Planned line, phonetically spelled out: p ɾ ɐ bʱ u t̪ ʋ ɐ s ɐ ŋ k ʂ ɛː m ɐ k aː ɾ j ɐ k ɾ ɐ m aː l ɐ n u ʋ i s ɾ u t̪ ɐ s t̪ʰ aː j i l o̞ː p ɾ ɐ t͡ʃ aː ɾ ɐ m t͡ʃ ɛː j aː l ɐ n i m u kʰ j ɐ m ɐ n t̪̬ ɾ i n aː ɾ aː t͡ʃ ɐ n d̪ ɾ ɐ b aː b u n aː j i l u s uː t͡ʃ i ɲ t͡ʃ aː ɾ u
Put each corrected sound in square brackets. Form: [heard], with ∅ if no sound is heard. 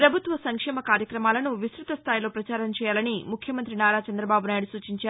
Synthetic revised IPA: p ɾ ɐ bʱ u t̪ ʋ ɐ s ɐ ŋ k ʂ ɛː m ɐ k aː ɾ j ɐ k ɾ ɐ m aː l ɐ n u ʋ i s ɾ u t̪ ɐ s t̪ʰ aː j i l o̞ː p ɾ ɐ t͡ʃ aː ɾ ɐ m t͡ʃ ɛː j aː l ɐ n i m u kʰ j ɐ m ɐ n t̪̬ ɾ i n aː ɾ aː t͡ʃ ɐ n d̪ ɾ ɐ b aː b u n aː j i [ɽ] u s uː t͡ʃ i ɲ t͡ʃ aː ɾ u